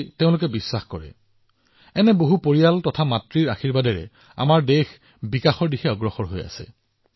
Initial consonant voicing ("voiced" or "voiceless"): voiceless